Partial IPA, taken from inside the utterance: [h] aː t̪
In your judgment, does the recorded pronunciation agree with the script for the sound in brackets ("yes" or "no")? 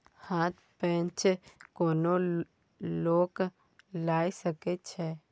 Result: yes